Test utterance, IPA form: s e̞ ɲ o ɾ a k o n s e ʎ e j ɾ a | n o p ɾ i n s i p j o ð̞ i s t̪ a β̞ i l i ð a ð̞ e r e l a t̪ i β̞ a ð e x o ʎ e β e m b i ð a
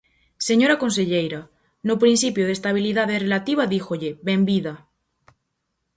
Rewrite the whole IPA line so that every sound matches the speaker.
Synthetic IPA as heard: s e̞ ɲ o ɾ a k o n s e ʎ e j ɾ a | n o p ɾ i n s i p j o ð̞ e s t̪ a β̞ i l i ð a ð̞ e r e l a t̪ i β̞ a ð i x o ʎ e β e m b i ð a